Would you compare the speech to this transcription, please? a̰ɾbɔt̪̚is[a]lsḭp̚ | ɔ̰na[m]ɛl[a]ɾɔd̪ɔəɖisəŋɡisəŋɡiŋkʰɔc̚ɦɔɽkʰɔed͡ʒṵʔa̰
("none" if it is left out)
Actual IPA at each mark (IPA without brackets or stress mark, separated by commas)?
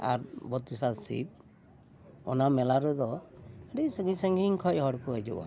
a, m, a